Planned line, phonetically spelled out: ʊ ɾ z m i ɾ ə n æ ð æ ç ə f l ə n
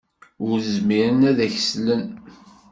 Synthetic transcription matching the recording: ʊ ɾ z m i ɾ ə n æ ð æ ç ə s l ə n

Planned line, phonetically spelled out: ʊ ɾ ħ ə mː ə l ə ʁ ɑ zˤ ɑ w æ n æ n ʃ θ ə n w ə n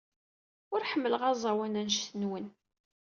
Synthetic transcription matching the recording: ʊ ɾ ħ ə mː ə l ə ʁ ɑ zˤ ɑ w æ n æ n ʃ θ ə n w ə n

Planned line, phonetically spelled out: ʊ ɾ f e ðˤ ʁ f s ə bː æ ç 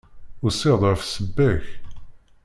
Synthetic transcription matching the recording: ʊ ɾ s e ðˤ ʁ f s ə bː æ ç

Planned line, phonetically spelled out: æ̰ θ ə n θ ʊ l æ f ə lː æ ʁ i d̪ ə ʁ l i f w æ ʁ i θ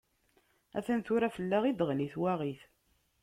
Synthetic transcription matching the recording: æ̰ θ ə n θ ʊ ɾ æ f ə lː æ ʁ i d̪ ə ʁ l i θ w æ ʁ i θ

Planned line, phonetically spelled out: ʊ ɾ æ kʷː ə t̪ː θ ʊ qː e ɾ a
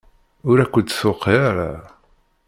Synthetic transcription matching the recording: ʊ ɾ æ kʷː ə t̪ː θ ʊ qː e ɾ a

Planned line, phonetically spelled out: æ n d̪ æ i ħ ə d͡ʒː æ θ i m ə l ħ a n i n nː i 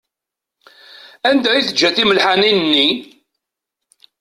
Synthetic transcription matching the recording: æ n d̪ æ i θ ə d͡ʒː æ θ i m ə l ħ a n i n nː i

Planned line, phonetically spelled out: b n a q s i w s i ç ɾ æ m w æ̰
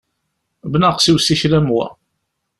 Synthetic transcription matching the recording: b n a q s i w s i ç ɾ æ m w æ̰

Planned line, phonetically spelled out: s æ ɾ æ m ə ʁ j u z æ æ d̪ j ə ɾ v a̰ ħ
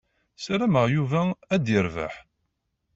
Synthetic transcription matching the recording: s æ ɾ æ m ə ʁ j u v æ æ d̪ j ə ɾ v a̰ ħ

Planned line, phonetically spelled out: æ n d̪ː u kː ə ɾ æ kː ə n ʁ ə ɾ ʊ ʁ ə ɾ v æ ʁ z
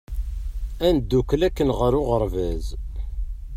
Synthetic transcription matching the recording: æ n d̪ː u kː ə l æ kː ə n ʁ ə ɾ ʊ ʁ ə ɾ v æ z

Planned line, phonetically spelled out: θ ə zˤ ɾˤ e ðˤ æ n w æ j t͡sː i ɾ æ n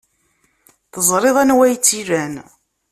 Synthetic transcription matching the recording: θ ə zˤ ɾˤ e ðˤ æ n w æ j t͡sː i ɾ æ n

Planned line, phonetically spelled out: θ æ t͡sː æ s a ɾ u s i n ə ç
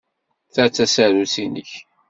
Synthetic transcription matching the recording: θ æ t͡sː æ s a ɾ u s i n ə ç

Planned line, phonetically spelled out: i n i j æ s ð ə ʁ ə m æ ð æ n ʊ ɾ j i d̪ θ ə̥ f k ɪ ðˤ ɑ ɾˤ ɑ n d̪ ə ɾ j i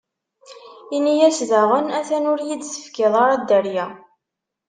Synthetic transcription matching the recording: i n i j æ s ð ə ʁ ə n æ θ æ n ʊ ɾ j i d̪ s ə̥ f k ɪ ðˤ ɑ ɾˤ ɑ d̪ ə ɾ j æ

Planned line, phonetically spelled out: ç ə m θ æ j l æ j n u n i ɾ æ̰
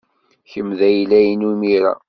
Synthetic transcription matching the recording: ç ə m ð æ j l æ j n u m i ɾ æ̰

